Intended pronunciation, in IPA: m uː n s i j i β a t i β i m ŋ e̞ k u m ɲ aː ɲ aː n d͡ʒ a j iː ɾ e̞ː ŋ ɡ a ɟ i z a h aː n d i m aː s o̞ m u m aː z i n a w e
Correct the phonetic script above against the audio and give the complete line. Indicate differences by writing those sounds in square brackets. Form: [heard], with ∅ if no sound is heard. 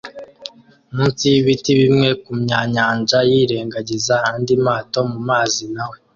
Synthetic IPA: m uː n s i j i β [i] t i β i m ŋ e̞ k u m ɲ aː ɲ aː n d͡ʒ a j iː ɾ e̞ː ŋ ɡ a ɟ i z a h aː n d i m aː [t] o̞ m u m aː z i n a w e